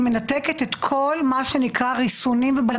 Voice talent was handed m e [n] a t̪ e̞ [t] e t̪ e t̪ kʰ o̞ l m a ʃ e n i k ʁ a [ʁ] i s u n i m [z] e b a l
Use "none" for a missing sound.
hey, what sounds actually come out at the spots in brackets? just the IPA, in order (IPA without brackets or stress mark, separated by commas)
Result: n, k, ʁ, v